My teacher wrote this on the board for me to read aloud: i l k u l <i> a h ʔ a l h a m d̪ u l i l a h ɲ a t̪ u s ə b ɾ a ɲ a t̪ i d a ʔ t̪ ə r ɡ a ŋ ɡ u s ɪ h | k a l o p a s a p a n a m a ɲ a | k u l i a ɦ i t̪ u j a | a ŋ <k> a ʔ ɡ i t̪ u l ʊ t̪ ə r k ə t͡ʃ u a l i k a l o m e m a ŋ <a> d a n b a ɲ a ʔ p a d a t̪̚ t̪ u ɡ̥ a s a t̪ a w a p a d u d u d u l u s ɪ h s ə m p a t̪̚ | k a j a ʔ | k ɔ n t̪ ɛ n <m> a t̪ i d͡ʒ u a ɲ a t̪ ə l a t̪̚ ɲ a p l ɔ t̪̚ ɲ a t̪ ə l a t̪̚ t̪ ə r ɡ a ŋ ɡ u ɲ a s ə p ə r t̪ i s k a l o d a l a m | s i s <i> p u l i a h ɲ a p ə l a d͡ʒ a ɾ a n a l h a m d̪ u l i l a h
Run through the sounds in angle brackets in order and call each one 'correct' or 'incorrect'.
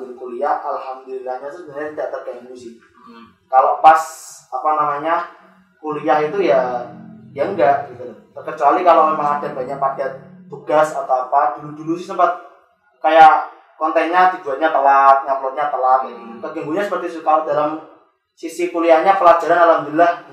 correct, incorrect: ɡ, correct, incorrect: ɲ, correct

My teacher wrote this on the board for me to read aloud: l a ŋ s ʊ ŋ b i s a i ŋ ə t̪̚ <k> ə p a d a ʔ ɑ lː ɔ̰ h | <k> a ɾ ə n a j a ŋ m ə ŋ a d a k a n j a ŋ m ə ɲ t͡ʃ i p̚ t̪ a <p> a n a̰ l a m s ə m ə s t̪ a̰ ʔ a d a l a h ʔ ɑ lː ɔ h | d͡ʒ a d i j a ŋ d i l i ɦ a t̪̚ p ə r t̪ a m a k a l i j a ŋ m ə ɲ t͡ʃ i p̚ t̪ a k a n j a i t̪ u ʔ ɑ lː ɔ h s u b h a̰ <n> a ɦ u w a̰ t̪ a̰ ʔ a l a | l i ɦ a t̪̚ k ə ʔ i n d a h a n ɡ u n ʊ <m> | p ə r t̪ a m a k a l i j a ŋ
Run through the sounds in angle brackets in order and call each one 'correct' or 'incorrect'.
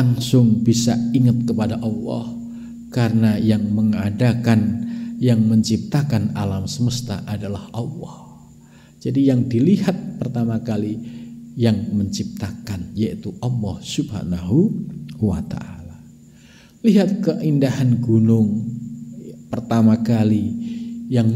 correct, correct, incorrect: k, correct, incorrect: ŋ

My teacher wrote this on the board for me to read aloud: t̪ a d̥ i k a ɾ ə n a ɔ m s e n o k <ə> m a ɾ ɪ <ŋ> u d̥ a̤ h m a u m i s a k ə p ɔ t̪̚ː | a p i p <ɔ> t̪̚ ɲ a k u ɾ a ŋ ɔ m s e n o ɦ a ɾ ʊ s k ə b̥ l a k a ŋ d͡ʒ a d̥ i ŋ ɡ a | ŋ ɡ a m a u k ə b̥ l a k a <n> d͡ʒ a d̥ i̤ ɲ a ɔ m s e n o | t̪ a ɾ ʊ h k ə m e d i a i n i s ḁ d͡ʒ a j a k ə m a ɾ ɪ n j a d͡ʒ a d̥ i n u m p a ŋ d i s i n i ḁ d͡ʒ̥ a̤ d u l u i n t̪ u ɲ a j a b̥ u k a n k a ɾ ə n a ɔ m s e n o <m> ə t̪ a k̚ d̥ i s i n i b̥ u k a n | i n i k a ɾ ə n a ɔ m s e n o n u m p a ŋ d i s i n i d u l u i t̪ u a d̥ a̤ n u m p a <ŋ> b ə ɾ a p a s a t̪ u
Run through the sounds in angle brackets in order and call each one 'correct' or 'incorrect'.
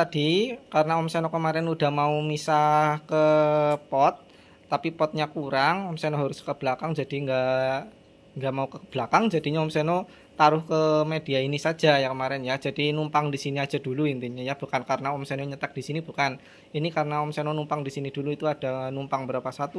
correct, incorrect: n, correct, incorrect: ŋ, incorrect: ɲ, correct

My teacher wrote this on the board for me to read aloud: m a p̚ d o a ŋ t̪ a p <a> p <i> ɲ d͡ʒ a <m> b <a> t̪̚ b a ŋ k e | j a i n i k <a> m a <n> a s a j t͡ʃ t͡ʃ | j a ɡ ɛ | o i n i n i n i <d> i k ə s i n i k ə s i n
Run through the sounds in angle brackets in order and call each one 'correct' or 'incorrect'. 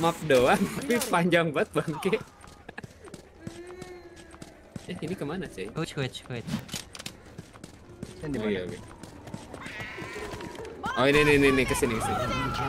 incorrect: i, incorrect: a, incorrect: ŋ, correct, incorrect: ə, correct, incorrect: n

